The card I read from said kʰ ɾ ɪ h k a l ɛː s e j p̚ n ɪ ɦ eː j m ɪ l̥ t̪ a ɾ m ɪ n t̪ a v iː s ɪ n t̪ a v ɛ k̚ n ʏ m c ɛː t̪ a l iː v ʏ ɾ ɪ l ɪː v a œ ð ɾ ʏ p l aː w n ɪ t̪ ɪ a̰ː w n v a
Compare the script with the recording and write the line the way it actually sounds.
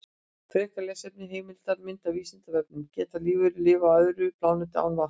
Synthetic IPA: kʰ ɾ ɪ h k a l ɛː s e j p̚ n ɪ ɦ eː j m ɪ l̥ t̪ a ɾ m ɪ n t̪ a v iː s ɪ n t̪ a v ɛ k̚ n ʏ m c ɛː t̪ a l iː v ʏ ɾ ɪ l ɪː v a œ ð ɾ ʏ p l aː w n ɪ t̪ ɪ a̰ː w n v a